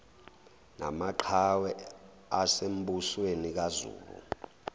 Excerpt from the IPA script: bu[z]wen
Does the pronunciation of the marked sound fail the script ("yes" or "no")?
yes